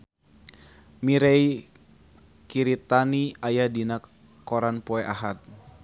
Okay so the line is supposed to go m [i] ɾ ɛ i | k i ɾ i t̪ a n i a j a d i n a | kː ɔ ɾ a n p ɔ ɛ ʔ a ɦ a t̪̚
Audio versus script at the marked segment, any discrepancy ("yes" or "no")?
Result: no